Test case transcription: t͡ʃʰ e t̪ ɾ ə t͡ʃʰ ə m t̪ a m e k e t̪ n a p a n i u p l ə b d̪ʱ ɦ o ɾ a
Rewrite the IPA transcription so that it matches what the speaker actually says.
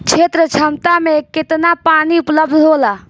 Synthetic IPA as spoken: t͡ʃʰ e t̪ ɾ ə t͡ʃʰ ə m t̪ a m e k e t̪ n a p a n i u p l ə b d̪ʱ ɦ o l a